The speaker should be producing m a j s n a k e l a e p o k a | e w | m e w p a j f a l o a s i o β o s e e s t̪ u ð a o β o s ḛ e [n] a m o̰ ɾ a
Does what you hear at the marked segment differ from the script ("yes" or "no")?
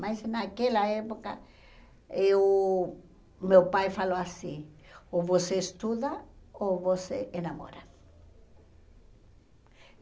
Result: no